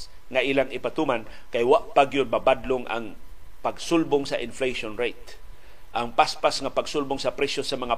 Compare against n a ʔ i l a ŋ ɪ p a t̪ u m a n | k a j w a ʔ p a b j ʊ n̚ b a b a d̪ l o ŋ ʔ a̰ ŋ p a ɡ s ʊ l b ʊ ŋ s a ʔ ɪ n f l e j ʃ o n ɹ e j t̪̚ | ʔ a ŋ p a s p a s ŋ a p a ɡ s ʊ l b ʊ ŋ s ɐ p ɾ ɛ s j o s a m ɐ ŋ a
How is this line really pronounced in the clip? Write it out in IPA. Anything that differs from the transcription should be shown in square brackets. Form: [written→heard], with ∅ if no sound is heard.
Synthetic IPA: [n→ŋ] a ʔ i l a ŋ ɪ p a t̪ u m a n | k a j w a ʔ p a [b→ɡ] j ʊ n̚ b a b a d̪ l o ŋ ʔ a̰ ŋ p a ɡ s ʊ l b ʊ ŋ s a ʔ ɪ n f l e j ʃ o n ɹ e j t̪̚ | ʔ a ŋ p a s p a s ŋ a p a ɡ s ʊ l b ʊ ŋ s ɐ p ɾ ɛ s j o s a m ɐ ŋ a